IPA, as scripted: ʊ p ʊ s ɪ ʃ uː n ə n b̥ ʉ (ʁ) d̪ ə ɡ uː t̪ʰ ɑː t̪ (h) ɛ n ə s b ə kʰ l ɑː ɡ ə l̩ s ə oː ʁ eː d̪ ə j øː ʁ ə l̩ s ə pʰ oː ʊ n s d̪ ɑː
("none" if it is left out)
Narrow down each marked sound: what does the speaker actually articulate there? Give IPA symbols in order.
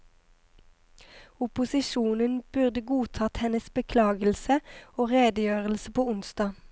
ʁ, h

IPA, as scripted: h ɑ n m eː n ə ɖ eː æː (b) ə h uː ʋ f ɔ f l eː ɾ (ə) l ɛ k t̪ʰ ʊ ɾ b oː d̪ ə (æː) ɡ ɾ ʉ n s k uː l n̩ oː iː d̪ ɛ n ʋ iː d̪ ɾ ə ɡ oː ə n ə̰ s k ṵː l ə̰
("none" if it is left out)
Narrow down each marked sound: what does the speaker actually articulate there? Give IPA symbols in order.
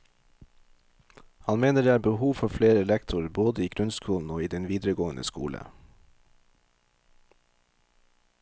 b, ə, iː

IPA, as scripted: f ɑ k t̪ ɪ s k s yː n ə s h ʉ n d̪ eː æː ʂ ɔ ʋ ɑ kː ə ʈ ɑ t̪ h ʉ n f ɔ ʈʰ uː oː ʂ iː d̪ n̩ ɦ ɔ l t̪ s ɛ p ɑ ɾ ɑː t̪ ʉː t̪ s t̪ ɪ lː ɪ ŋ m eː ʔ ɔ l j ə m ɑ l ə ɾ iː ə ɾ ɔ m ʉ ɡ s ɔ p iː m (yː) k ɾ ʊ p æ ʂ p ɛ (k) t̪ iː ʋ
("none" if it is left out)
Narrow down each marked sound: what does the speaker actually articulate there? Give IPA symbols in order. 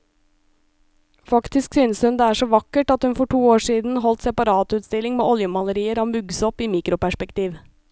iː, k

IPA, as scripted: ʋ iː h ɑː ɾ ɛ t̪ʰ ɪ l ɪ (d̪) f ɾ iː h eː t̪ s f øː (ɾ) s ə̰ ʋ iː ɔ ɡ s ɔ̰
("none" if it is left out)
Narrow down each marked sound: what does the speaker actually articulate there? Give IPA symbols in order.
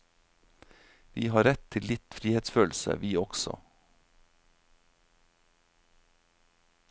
t̪, l

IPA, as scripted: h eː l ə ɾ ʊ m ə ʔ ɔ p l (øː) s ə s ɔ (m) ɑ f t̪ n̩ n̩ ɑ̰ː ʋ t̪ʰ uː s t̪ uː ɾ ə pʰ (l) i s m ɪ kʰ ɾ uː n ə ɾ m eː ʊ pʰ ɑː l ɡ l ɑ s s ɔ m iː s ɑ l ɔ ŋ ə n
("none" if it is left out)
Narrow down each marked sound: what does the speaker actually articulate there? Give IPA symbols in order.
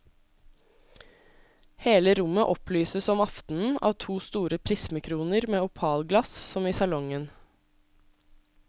yː, m, ɾ

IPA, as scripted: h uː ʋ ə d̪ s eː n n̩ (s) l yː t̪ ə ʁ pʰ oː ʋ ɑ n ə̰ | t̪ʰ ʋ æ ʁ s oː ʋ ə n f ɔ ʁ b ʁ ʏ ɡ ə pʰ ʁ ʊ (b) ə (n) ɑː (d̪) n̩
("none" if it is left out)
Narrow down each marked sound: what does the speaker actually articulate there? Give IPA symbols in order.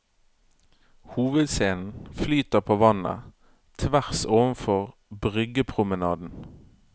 f, m, n, d̪

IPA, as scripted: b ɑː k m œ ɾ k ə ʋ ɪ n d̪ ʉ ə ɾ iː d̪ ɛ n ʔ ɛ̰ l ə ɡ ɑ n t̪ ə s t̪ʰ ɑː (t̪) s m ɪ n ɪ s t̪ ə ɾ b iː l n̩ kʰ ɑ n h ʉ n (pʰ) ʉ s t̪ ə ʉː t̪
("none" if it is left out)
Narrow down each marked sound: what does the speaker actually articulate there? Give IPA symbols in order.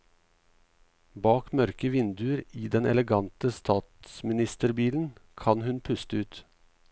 t̪, pʰ

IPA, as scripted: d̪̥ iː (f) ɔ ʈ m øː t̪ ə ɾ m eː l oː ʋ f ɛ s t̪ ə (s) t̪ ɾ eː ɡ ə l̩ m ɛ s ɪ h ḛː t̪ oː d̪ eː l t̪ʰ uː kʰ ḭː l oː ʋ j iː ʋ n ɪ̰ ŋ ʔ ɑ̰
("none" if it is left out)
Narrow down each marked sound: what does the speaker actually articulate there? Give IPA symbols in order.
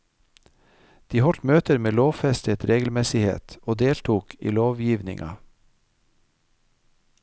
h, none

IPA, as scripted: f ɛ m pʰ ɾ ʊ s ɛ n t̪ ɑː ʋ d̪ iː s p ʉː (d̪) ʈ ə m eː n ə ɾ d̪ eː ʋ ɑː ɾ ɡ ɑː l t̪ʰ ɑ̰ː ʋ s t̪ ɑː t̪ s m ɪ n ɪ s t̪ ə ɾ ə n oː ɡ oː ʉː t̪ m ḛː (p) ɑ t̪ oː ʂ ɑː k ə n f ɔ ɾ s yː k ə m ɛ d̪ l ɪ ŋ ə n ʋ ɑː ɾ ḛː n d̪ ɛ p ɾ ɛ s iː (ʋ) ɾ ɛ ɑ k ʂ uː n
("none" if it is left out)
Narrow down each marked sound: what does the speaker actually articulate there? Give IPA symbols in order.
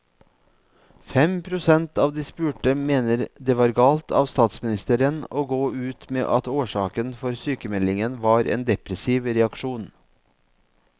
none, ʔ, ʋ

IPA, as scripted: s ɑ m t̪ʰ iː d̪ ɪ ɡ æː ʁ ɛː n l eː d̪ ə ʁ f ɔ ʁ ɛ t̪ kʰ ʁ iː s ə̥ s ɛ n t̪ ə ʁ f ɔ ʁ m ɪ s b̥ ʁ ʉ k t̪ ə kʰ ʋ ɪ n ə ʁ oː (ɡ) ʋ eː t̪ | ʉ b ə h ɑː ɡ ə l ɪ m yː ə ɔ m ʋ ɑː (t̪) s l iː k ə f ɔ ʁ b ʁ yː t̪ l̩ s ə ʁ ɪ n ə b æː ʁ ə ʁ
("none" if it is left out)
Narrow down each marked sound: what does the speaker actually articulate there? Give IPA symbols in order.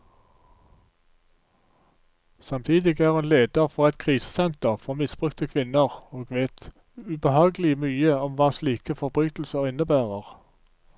ɡ, none

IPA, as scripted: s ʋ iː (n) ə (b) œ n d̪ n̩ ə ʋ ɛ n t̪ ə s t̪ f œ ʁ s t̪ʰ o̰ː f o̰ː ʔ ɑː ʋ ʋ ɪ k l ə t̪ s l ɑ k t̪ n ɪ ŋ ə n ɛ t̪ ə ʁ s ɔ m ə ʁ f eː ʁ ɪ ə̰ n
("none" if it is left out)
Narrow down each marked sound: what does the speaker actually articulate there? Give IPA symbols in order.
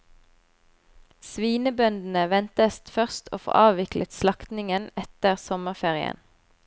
n, b

